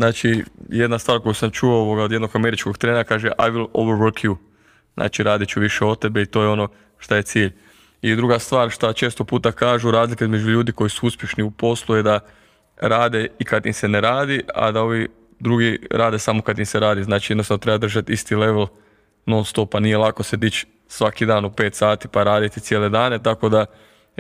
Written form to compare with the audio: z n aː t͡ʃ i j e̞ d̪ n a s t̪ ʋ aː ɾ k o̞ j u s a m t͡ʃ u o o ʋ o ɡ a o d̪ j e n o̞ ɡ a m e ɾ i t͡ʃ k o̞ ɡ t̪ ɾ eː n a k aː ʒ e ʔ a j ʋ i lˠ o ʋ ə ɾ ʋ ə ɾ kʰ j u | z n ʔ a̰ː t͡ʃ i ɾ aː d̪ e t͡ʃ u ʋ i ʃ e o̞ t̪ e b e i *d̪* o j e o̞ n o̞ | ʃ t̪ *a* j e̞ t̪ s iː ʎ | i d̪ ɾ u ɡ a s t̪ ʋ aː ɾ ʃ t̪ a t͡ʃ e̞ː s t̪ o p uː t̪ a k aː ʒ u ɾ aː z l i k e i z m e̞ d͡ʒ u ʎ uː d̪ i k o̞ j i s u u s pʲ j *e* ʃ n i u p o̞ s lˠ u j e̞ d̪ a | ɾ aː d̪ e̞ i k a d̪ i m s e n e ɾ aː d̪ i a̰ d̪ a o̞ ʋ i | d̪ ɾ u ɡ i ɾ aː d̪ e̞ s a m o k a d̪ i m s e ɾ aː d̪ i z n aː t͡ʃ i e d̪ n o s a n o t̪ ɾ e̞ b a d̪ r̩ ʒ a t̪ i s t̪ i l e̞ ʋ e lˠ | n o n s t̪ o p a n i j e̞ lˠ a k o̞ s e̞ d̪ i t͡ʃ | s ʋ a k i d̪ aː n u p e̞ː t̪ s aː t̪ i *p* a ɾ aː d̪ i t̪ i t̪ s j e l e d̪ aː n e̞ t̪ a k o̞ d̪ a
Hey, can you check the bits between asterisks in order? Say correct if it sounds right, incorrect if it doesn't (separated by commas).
incorrect, correct, correct, correct